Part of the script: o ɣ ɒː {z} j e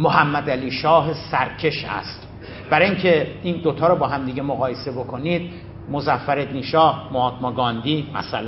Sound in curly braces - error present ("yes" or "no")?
yes